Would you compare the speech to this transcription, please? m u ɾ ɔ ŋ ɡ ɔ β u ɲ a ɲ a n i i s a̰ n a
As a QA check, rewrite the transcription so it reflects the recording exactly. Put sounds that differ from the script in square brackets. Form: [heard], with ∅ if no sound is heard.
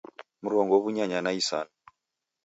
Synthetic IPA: m u ɾ ɔ ŋ ɡ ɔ β u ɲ a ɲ a n [a] i s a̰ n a